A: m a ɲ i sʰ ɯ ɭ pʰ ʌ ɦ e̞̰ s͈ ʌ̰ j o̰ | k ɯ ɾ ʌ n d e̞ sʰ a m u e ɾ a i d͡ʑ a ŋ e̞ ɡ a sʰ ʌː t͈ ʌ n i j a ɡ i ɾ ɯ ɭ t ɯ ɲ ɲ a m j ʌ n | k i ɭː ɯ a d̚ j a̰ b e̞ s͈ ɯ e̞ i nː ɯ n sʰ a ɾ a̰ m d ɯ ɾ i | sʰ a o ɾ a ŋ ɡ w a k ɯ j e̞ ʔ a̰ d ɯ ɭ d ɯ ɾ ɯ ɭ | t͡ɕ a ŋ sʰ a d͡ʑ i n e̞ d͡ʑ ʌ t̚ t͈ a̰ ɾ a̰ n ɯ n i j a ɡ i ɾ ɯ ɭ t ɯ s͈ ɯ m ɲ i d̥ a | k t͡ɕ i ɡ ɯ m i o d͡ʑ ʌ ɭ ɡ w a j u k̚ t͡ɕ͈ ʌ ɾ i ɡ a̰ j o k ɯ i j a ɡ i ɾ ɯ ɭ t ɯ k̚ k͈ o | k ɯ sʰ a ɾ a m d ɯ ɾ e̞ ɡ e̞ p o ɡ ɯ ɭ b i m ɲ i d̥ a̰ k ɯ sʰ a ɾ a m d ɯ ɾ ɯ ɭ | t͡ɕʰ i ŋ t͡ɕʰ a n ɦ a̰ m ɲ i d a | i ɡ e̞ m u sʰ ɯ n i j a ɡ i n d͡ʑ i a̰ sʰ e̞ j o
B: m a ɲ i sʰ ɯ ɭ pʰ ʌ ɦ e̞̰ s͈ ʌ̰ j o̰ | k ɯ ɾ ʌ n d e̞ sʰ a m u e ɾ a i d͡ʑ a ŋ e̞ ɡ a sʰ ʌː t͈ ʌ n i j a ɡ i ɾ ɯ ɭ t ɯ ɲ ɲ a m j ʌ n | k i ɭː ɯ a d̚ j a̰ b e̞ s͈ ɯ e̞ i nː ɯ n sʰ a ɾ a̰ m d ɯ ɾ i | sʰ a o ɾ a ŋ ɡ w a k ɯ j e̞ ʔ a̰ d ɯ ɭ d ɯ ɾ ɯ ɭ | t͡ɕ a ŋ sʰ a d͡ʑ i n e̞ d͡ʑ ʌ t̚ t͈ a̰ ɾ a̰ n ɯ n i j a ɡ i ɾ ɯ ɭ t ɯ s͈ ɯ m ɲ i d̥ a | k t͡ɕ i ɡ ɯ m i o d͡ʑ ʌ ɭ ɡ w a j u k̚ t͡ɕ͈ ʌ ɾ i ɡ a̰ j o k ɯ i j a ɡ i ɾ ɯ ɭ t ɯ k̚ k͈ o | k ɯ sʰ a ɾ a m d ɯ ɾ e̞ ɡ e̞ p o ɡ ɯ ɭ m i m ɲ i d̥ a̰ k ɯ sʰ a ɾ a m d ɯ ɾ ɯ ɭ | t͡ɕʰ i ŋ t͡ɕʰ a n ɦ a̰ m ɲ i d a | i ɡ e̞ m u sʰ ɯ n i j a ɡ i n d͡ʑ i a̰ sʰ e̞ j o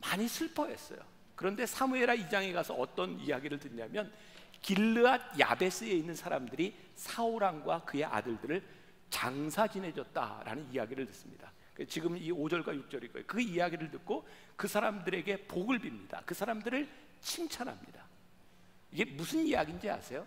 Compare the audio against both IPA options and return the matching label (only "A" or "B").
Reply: A